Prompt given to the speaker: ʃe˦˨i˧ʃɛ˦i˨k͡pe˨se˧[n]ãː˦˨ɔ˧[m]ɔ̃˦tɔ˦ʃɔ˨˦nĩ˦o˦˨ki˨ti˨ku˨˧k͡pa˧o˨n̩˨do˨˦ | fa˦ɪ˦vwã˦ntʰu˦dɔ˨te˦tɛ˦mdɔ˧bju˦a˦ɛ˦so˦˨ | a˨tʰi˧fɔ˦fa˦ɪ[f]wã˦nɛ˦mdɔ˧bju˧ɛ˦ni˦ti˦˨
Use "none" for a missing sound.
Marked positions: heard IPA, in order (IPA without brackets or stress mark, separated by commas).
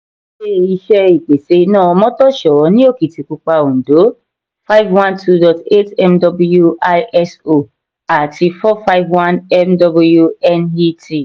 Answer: n, m, v